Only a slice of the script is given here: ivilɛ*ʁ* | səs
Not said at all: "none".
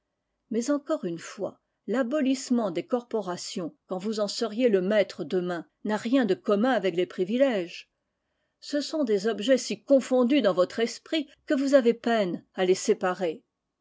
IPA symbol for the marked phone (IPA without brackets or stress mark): ʒ